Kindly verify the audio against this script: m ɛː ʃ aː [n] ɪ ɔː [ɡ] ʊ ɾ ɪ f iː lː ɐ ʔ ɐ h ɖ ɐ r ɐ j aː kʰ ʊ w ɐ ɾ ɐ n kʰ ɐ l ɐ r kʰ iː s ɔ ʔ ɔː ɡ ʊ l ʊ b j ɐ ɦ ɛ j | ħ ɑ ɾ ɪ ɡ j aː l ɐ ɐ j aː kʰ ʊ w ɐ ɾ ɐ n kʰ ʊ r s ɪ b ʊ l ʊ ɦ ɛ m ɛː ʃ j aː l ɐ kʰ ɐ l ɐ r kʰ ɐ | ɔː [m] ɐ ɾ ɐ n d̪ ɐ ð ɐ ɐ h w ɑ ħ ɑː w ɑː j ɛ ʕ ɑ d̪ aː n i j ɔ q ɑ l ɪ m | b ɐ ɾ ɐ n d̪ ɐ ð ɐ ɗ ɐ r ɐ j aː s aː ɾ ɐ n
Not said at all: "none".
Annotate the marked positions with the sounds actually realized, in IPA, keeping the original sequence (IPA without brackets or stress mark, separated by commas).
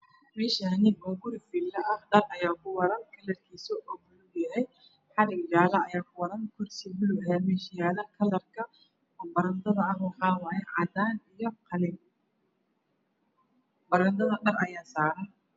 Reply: n, ɡ, b